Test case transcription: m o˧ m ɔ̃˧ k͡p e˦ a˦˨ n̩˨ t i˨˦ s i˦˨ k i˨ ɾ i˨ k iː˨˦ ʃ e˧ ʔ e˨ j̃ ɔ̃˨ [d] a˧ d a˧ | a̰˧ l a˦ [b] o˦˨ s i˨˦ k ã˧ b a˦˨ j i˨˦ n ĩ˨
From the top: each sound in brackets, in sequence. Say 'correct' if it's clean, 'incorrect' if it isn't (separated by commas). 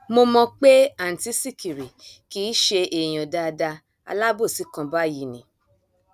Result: correct, correct